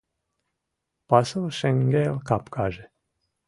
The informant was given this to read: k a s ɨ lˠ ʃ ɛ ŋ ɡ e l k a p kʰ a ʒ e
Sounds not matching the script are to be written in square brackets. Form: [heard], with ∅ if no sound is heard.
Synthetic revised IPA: [p] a s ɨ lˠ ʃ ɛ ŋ ɡ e l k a p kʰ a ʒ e